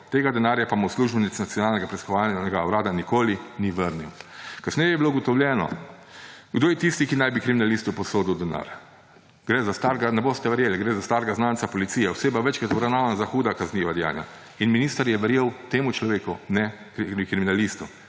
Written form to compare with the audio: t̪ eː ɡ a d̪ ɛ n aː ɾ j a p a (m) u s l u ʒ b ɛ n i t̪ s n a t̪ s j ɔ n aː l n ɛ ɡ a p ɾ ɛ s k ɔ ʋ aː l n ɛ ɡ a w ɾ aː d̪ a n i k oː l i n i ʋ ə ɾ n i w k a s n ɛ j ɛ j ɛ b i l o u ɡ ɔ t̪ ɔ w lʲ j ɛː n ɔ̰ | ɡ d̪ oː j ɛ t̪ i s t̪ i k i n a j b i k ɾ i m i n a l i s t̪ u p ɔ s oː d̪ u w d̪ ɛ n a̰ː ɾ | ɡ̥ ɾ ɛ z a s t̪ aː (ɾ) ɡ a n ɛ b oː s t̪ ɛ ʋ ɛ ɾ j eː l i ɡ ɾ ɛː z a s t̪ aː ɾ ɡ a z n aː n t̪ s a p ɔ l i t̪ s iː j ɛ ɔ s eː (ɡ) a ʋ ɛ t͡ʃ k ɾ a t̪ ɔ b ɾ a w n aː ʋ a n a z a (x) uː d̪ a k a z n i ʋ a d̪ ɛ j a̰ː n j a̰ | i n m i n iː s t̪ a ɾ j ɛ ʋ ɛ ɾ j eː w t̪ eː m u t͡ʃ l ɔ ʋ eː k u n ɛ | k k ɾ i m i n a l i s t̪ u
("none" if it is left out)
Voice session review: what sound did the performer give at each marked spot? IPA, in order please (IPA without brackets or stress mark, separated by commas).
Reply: m, ɾ, b, x